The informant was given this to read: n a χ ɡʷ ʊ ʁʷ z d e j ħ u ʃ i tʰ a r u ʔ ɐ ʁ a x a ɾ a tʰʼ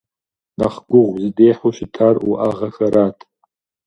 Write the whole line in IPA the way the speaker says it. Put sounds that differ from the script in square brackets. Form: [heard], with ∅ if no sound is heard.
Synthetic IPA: n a χ ɡʷ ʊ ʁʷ z d e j ħ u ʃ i tʰ a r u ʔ [a] ʁ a x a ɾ a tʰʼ